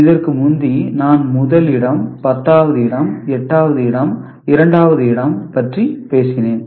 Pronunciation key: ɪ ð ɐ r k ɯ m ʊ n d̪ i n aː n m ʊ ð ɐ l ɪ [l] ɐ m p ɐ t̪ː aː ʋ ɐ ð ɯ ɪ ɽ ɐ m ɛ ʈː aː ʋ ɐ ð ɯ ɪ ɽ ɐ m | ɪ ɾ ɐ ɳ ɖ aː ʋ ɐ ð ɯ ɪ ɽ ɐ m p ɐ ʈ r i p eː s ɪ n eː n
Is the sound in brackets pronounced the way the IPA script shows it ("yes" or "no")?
no